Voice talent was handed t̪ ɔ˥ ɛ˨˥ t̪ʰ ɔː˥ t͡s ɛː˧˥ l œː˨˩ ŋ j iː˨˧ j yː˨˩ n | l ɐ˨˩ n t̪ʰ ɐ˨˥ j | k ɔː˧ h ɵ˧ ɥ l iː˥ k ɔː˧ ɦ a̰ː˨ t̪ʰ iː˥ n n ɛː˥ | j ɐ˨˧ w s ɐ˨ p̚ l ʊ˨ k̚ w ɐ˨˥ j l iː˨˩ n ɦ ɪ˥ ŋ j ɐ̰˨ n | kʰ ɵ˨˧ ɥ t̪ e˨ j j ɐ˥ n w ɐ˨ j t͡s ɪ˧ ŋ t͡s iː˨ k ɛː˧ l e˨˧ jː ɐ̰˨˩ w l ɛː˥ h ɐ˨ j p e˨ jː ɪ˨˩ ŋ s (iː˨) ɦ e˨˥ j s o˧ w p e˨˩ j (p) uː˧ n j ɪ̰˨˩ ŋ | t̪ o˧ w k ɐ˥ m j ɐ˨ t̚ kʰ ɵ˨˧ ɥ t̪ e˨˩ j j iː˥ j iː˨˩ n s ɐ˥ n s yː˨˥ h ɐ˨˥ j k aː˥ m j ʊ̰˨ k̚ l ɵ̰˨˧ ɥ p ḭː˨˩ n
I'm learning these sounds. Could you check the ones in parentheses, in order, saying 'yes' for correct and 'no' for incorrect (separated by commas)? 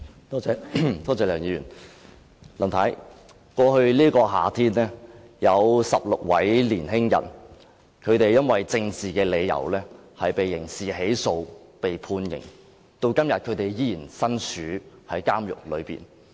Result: yes, no